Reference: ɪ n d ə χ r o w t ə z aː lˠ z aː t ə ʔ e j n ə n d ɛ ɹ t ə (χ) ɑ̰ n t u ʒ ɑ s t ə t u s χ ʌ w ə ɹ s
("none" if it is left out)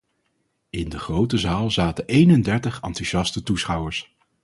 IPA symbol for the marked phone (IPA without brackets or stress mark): χ